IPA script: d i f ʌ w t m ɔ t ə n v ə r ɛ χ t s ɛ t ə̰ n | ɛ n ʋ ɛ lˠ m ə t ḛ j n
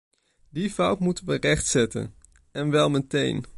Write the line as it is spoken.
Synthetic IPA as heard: d i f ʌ w t m u t ə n ʋ ə r ɛ χ t s ɛ t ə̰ n | ɛ n ʋ ɛ lˠ m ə t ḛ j n